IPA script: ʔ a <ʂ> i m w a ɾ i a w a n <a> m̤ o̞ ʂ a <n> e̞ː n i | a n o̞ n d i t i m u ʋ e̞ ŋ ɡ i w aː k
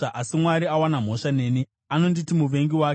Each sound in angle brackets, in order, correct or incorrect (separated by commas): incorrect, correct, correct